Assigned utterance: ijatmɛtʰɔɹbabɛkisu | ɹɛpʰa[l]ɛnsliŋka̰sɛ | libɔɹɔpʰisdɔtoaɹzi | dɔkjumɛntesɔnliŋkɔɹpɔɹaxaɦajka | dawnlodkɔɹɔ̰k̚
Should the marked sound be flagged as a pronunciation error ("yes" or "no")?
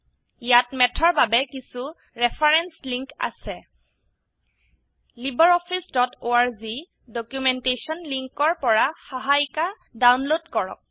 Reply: yes